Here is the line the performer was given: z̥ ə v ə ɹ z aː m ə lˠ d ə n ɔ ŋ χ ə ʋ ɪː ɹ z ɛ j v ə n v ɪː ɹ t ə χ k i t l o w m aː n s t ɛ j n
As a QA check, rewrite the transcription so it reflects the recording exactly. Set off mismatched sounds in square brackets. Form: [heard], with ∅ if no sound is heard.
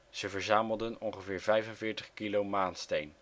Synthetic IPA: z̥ ə v ə ɹ z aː m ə lˠ d ə n ɔ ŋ χ ə [v] ɪː ɹ [v] ɛ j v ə n v ɪː ɹ t ə χ k i [∅] l o w m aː n s t [e] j n